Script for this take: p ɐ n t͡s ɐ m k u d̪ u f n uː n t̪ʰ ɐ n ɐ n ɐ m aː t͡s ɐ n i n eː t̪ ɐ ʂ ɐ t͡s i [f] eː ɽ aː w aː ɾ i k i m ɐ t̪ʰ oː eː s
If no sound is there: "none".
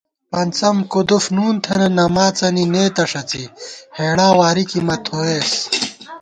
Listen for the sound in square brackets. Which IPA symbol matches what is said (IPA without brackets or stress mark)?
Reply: h